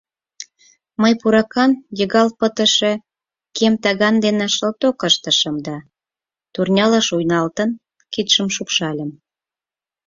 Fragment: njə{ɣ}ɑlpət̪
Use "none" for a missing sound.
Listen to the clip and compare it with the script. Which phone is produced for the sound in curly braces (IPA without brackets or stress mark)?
ɣ